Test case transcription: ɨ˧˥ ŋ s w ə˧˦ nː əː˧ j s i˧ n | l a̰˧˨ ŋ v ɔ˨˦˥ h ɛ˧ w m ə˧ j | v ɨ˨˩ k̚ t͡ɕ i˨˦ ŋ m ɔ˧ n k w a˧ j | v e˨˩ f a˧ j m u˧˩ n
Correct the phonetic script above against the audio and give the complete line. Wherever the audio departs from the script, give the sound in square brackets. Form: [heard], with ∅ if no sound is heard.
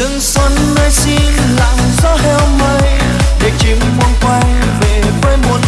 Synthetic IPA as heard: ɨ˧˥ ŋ s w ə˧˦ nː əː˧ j s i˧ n | l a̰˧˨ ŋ [z] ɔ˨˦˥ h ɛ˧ w m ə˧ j | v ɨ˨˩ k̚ t͡ɕ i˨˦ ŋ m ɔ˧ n k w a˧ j | v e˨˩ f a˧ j m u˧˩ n

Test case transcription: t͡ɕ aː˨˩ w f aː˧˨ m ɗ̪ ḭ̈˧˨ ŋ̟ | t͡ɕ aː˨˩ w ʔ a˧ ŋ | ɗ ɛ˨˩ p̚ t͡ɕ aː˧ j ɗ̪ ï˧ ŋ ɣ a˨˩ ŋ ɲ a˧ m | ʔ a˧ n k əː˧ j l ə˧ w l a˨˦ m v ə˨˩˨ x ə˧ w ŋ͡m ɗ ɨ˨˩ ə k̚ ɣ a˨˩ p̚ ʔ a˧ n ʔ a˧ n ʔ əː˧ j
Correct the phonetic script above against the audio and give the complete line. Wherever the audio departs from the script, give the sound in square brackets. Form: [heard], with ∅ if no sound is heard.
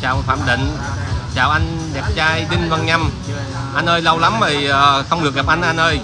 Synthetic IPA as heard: t͡ɕ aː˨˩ w f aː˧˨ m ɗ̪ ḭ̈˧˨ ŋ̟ | t͡ɕ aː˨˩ w ʔ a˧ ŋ | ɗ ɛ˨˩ p̚ t͡ɕ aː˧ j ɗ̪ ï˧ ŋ [v] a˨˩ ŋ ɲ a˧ m | ʔ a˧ n [ʔ] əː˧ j l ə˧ w l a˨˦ m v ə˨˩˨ x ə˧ w ŋ͡m ɗ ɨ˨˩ ə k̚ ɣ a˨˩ p̚ ʔ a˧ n ʔ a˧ n ʔ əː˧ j

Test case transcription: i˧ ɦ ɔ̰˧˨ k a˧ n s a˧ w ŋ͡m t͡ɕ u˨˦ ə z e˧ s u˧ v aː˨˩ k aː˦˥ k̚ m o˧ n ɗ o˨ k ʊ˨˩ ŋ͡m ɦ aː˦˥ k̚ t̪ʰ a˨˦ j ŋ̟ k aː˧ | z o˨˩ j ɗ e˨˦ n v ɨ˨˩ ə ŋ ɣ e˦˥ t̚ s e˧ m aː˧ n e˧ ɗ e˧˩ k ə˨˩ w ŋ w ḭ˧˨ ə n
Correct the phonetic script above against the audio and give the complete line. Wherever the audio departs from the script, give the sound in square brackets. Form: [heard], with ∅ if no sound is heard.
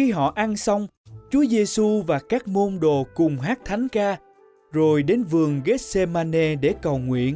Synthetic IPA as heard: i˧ ɦ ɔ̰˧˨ [ʔ] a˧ n s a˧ w ŋ͡m t͡ɕ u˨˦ ə z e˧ s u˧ v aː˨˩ k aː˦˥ k̚ m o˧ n ɗ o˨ k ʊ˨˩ ŋ͡m ɦ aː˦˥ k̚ t̪ʰ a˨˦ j ŋ̟ k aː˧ | z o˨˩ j ɗ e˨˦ n v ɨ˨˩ ə ŋ ɣ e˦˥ t̚ s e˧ m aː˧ n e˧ ɗ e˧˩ k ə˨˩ w ŋ w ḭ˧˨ ə n

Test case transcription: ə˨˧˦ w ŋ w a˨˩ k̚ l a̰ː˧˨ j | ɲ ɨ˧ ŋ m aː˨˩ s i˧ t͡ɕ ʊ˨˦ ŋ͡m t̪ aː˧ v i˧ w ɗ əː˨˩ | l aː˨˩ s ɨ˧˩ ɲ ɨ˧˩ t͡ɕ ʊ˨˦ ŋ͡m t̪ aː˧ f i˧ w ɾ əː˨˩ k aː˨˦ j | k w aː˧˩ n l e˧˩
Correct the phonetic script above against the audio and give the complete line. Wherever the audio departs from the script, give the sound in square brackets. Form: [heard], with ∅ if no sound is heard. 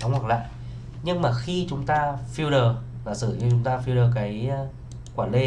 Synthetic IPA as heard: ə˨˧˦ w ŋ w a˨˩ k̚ l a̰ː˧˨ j | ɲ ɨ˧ ŋ m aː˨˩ [x] i˧ t͡ɕ ʊ˨˦ ŋ͡m t̪ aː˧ [f] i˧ w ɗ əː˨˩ | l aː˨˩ s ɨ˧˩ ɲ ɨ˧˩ t͡ɕ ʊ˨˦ ŋ͡m t̪ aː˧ f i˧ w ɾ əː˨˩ k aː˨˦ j | k w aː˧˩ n l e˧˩

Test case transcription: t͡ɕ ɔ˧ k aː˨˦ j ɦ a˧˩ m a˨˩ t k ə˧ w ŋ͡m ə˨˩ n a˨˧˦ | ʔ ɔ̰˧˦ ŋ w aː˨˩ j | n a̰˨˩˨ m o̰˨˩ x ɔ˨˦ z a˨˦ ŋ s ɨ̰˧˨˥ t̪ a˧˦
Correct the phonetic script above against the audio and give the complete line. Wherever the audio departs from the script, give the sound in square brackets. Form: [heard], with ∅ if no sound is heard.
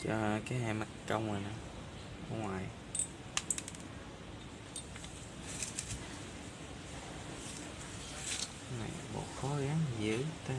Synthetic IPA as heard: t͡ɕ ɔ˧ k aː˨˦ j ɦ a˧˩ m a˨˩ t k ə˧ w ŋ͡m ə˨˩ n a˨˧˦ | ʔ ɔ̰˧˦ ŋ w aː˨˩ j | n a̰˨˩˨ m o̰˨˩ x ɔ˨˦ [ɣ] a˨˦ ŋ [z] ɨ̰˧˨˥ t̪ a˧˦

